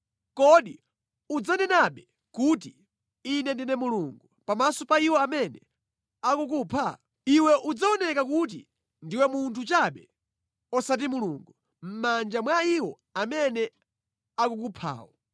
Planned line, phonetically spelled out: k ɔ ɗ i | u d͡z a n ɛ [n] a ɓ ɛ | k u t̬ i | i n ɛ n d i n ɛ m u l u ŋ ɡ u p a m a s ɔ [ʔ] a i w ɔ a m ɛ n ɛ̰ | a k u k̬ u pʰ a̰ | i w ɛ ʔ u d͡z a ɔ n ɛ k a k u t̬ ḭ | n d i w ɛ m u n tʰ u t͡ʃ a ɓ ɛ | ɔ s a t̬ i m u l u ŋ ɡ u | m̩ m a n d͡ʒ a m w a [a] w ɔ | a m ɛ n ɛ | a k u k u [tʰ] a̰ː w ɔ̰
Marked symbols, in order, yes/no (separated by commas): yes, no, no, no